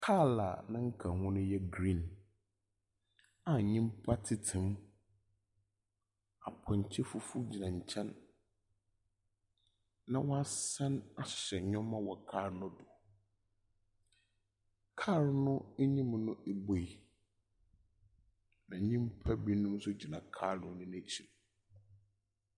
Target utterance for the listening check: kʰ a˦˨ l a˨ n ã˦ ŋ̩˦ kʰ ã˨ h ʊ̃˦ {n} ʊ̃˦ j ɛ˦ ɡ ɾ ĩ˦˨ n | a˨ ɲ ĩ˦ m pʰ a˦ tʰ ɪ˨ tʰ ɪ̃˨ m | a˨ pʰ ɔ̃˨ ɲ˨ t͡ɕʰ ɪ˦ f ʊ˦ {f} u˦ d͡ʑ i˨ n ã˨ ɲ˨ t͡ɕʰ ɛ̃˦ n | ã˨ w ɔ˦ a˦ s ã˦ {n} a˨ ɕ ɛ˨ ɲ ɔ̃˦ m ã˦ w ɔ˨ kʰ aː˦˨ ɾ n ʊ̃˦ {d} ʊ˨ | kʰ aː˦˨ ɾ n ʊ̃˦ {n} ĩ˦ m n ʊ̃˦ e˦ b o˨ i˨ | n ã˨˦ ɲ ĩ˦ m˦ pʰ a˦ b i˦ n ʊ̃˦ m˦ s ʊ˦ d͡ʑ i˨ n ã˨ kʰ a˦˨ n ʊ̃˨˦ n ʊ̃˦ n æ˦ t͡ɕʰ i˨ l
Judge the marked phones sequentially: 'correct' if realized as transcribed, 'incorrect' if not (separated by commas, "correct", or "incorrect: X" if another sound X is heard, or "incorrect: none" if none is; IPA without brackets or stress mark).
correct, correct, correct, correct, incorrect: ɲ